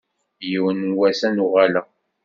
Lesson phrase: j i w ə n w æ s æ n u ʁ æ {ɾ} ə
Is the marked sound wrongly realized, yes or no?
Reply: yes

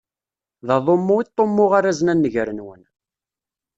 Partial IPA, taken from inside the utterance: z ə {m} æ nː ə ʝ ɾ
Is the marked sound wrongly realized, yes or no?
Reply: yes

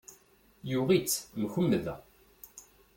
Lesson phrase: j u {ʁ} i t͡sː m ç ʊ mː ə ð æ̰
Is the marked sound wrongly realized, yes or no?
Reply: no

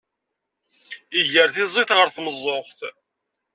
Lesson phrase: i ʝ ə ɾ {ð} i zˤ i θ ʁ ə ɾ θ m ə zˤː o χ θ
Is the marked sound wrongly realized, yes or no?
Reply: yes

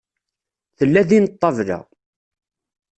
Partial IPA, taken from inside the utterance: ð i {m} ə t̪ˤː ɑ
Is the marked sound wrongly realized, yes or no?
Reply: yes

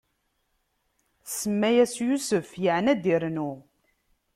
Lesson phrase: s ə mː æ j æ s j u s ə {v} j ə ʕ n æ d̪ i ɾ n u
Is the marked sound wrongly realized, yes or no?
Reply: yes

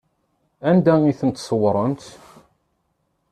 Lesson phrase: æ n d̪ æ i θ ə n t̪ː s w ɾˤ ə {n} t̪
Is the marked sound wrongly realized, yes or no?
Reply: no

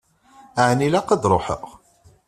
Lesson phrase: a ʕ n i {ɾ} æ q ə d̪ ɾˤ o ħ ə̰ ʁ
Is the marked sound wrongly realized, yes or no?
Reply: yes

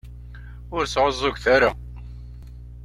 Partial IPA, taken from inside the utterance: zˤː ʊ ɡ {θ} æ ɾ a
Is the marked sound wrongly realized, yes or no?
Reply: no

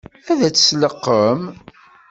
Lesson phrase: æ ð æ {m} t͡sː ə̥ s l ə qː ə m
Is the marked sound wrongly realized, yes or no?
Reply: yes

